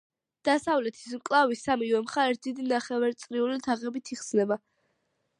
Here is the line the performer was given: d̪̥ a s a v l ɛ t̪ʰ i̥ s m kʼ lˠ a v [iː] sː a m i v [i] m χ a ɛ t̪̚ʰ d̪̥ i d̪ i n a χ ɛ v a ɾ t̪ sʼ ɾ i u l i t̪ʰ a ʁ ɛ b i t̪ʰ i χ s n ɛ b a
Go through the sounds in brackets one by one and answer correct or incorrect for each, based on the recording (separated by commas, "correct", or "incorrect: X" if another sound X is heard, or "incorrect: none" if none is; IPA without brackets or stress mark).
incorrect: i, incorrect: ɛ